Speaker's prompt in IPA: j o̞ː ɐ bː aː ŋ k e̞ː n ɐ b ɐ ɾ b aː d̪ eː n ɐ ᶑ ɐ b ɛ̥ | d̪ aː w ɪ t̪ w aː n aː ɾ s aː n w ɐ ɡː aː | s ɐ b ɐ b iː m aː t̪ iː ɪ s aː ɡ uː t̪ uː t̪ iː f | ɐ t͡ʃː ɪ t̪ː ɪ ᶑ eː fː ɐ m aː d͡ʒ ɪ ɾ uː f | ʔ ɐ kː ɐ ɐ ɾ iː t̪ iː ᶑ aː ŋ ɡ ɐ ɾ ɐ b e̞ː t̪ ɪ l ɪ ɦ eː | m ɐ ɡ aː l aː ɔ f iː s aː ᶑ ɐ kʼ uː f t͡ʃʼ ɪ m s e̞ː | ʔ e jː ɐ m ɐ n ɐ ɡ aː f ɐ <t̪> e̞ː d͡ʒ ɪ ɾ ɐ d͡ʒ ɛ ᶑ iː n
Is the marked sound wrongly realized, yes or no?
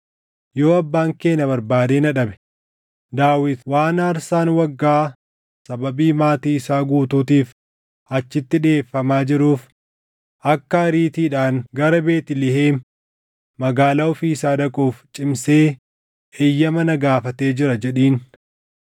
no